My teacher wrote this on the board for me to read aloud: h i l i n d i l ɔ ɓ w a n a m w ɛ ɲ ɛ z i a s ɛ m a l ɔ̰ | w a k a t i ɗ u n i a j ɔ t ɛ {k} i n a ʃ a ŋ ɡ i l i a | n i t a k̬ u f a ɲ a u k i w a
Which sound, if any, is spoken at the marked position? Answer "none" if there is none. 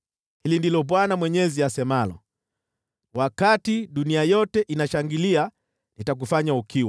ʔ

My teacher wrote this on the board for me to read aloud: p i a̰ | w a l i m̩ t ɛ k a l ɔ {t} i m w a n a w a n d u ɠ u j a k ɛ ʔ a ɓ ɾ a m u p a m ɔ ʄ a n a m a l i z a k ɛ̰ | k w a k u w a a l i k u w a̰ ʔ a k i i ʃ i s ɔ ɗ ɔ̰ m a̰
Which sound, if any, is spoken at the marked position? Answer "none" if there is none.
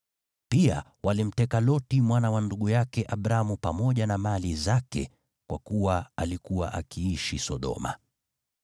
t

